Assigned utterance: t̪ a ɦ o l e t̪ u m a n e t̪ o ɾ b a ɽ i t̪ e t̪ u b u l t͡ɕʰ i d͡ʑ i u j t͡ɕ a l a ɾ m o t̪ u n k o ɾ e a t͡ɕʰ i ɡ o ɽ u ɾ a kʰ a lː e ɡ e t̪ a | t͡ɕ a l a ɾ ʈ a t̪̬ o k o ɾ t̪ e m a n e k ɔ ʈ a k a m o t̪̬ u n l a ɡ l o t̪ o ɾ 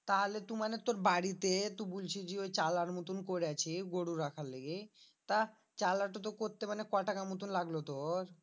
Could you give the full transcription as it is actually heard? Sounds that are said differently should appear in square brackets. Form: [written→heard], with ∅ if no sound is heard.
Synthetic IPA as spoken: t̪ a ɦ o l e t̪ u m a n e t̪ o ɾ b a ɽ i t̪ e t̪ u b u l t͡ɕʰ i d͡ʑ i [u→o] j t͡ɕ a l a ɾ m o t̪ u n k o ɾ e a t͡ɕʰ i ɡ o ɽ u ɾ a kʰ a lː e ɡ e t̪ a | t͡ɕ a l a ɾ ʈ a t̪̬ o k o ɾ t̪ e m a n e k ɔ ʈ a k a m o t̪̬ u n l a ɡ l o t̪ o ɾ